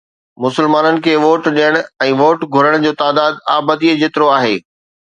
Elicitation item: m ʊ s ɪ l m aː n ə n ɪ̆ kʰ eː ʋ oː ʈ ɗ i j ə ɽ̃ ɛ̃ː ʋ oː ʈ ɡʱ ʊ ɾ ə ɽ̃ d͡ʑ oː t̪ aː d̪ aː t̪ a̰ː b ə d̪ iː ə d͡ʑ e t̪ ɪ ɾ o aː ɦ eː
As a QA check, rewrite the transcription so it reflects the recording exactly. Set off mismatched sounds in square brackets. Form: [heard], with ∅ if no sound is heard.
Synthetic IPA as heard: m ʊ s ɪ l m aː n ə n ɪ̆ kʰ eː ʋ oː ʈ ɗ i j ə ɽ̃ ɛ̃ː ʋ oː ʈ ɡʱ ʊ ɾ ə ɽ̃ d͡ʑ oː t̪ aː d̪ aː [d̪] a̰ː b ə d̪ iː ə d͡ʑ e t̪ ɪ ɾ o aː ɦ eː